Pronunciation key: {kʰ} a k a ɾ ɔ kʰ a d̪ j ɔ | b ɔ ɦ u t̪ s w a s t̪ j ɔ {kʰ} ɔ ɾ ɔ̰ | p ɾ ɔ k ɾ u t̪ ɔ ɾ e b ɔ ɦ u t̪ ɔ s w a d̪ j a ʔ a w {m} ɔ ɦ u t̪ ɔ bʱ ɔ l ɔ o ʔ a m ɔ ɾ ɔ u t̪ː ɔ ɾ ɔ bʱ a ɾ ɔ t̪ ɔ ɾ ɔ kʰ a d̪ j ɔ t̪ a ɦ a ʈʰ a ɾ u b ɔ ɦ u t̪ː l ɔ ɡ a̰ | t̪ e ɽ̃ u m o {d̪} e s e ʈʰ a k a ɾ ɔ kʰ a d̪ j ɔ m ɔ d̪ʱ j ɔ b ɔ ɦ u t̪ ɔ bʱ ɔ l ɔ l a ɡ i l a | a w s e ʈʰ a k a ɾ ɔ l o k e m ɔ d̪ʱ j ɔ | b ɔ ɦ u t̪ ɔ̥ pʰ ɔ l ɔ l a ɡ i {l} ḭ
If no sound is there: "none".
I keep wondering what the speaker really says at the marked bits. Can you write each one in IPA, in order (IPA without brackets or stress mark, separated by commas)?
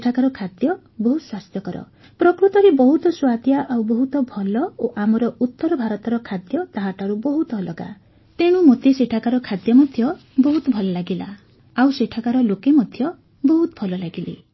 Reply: ʈʰ, k, b, t̪, l